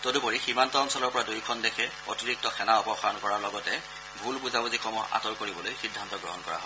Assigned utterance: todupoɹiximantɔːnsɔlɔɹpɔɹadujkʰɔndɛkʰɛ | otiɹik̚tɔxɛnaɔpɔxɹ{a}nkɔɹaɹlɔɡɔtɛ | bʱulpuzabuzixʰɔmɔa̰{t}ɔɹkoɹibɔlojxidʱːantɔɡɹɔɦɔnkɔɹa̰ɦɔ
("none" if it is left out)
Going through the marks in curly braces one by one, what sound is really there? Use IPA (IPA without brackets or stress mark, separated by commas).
a, t